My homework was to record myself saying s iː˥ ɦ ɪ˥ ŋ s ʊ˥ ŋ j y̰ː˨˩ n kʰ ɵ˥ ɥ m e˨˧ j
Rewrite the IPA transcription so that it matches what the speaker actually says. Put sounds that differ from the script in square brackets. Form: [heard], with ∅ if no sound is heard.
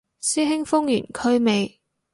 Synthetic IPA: s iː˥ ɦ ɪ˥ ŋ [f] ʊ˥ ŋ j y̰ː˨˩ n kʰ ɵ˥ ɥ m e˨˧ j